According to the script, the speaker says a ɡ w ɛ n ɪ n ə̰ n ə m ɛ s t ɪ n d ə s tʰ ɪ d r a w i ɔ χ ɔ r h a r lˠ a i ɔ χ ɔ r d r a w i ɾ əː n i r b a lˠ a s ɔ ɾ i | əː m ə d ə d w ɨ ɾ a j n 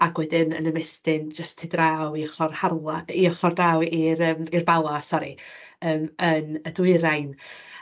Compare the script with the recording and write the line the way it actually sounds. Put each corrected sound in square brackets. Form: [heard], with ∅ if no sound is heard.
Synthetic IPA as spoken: a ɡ w ɛ [d] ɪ n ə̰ n ə m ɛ s t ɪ n [d͡ʒ] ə s tʰ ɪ d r a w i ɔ χ ɔ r h a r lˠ a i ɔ χ ɔ r d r a w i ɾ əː [m] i r b a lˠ a s ɔ ɾ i | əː m ə [n] ə d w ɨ ɾ a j n